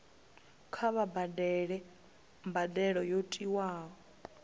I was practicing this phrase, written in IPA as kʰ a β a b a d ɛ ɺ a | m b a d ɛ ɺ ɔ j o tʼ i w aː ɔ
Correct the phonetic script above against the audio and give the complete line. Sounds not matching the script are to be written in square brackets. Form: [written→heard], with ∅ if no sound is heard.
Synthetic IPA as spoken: kʰ a β a b a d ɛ ɺ [a→ɛ] | m b a d ɛ ɺ ɔ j o tʼ i w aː ɔ